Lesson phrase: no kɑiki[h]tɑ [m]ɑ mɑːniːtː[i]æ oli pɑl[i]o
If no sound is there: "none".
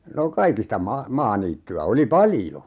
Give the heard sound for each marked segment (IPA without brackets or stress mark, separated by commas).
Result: s, m, y, j